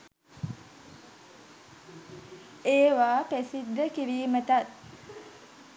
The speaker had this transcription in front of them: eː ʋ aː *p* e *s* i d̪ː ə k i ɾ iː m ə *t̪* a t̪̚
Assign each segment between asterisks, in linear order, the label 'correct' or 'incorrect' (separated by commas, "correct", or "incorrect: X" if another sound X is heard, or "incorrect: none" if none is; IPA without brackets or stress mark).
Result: correct, correct, correct